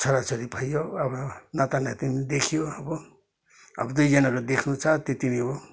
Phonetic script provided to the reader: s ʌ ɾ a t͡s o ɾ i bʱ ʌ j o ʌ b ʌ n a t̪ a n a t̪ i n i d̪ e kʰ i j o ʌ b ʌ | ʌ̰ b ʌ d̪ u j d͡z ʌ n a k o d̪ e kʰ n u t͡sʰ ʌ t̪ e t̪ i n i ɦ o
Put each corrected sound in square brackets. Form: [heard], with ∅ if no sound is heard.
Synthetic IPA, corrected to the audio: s ʌ ɾ a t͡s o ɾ i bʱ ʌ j o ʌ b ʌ n a t̪ a n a t̪ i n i d̪ e kʰ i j o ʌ b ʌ | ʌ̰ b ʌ d̪ u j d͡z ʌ n a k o d̪ e kʰ n u t͡sʰ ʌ t̪ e t̪ i n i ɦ o